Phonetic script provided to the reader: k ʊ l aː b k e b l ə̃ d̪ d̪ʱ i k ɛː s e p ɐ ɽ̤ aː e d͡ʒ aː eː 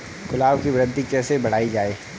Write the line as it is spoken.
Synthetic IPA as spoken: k ʊ l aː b k i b ɾ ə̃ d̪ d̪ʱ i k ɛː s e b ɐ ɽ̤ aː i d͡ʒ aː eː